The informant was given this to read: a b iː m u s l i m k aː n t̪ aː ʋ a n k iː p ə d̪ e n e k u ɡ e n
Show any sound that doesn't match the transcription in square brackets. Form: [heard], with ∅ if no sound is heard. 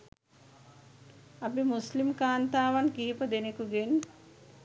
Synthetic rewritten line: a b [i] m u s l i m k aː n t̪ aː ʋ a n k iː p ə d̪ e n e k u ɡ e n